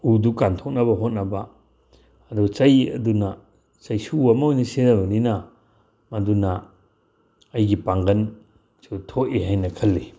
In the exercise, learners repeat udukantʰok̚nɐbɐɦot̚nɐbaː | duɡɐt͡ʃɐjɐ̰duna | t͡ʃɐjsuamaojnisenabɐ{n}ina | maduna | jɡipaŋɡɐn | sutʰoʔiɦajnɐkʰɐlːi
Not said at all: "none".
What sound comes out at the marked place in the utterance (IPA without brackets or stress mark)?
n